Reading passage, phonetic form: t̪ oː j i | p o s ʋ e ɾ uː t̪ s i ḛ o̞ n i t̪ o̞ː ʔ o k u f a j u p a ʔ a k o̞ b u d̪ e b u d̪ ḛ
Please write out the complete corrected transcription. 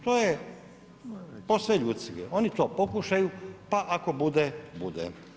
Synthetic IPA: t̪ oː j e | p o s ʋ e ʎ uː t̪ s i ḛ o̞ n i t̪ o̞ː p o k u ʃ a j u p a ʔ a k o̞ b u d̪ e b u d̪ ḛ